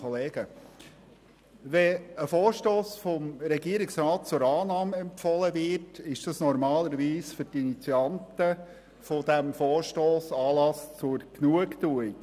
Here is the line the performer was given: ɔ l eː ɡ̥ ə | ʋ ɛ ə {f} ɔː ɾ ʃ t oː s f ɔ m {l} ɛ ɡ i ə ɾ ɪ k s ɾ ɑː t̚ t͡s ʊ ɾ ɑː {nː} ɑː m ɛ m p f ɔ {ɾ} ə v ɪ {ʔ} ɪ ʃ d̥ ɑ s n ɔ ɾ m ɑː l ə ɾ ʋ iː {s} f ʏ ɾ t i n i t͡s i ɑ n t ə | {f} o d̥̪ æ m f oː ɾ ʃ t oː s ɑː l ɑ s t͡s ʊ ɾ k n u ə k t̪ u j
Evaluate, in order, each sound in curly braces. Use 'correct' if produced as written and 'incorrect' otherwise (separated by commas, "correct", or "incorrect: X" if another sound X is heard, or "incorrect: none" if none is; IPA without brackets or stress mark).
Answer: correct, incorrect: ɾ, incorrect: n, incorrect: l, incorrect: t, correct, correct